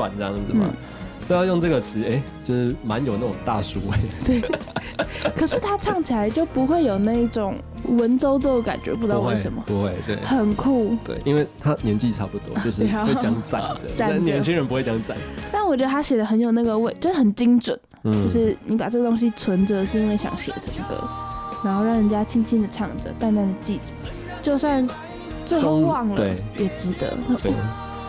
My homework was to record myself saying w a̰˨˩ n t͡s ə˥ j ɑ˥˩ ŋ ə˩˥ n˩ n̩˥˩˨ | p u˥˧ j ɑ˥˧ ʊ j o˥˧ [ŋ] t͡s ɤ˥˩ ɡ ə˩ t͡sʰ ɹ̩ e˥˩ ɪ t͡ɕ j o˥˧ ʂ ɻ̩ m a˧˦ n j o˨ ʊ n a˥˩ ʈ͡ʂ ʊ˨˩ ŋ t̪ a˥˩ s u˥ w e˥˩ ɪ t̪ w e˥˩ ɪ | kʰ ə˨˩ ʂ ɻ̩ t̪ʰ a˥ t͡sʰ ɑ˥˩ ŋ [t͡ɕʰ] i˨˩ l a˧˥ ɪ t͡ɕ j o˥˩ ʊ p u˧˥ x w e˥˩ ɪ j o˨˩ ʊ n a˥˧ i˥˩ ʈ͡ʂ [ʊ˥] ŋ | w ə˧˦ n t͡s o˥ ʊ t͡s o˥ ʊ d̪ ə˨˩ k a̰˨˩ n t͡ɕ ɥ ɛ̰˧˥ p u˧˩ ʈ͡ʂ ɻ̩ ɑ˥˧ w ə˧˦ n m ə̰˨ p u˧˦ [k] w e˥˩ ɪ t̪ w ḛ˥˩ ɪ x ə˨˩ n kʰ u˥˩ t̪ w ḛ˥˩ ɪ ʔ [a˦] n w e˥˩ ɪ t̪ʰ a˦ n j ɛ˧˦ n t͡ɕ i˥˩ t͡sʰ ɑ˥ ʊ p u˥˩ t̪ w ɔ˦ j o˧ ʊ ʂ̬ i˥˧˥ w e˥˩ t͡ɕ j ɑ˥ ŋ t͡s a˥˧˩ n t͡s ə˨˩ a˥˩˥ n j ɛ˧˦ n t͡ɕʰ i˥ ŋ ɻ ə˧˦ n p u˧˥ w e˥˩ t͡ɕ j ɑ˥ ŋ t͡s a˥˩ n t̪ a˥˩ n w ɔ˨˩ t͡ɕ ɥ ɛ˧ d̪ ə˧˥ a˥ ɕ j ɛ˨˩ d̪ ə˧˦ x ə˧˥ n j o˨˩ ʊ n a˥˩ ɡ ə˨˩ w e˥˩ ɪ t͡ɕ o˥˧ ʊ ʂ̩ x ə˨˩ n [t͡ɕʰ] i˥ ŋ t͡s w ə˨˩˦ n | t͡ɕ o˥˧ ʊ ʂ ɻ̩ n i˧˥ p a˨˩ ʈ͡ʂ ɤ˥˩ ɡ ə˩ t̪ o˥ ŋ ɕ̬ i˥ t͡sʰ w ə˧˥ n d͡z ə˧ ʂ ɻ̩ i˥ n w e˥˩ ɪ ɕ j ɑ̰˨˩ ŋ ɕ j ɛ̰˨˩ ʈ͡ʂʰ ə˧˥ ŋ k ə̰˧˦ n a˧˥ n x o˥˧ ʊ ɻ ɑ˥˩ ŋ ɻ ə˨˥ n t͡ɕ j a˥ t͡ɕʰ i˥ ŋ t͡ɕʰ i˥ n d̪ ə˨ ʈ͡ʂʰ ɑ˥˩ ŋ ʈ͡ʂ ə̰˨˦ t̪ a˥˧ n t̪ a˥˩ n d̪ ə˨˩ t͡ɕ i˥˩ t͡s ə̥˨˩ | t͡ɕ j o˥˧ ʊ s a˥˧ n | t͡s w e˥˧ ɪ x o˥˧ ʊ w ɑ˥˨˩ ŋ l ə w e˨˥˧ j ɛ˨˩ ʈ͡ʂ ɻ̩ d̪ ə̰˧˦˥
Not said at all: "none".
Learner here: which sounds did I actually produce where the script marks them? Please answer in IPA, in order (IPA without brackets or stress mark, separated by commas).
ŋ, t͡ɕʰ, ʊ˨˩, x, i˦, t͡ɕ